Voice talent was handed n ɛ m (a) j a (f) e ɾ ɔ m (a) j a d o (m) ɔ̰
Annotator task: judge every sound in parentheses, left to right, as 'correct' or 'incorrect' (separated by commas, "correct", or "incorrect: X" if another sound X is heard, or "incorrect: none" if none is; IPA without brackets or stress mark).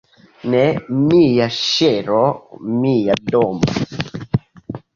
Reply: incorrect: i, incorrect: ʃ, incorrect: i, correct